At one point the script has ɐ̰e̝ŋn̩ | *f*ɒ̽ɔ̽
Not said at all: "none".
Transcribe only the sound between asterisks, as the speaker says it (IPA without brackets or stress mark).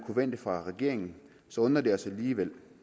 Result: s